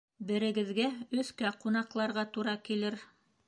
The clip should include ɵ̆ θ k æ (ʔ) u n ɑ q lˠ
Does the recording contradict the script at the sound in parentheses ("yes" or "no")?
yes